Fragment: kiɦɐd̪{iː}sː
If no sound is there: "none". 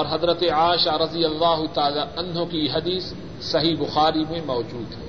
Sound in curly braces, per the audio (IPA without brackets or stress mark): iː